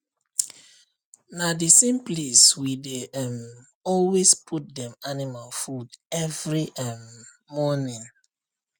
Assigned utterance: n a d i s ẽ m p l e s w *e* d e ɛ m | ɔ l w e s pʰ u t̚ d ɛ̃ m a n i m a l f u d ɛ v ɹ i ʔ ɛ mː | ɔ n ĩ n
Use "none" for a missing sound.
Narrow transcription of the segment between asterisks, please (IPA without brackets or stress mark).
i